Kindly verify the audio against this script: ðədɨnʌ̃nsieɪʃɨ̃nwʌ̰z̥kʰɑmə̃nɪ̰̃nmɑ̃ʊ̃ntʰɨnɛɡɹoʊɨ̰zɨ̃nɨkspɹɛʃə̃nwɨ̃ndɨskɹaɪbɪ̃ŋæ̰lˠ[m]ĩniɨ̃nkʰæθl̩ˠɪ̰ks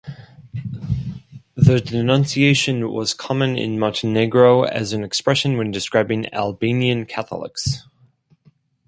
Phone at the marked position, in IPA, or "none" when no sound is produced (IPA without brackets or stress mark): b